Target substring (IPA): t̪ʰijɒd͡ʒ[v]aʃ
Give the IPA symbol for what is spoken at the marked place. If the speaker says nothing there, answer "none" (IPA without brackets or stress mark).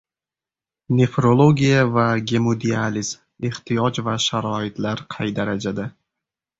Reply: v